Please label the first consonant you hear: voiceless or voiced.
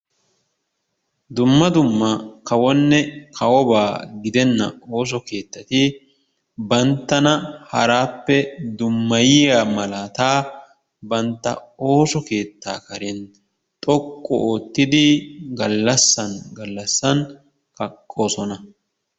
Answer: voiced